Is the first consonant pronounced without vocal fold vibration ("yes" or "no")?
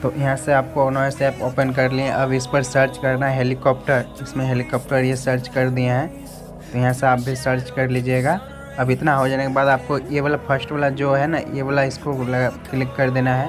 yes